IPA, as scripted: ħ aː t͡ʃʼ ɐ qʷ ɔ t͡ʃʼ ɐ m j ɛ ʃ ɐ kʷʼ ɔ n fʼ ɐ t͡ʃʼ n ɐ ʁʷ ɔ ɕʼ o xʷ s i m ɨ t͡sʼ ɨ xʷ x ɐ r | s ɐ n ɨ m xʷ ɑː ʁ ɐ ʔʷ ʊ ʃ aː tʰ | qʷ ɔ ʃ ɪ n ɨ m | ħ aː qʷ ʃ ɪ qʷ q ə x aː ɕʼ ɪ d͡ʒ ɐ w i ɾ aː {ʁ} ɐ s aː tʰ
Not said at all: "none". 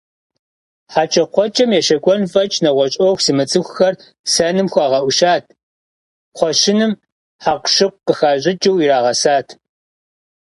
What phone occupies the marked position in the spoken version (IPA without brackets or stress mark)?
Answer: ʁ